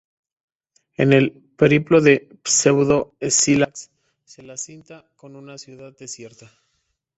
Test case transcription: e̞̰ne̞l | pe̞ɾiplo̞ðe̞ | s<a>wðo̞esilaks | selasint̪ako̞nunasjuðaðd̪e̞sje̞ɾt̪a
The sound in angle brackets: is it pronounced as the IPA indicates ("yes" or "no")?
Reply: no